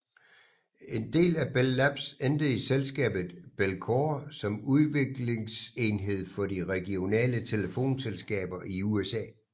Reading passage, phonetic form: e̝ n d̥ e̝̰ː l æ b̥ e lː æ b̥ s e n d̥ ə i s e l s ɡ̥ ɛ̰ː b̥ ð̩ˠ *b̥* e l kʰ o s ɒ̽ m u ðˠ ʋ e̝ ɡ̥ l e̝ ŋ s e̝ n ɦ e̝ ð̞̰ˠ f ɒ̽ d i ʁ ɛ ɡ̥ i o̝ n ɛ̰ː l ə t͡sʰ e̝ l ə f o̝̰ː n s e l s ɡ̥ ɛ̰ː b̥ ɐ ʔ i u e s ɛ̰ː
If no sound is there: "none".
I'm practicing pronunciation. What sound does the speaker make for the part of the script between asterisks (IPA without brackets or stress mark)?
b̥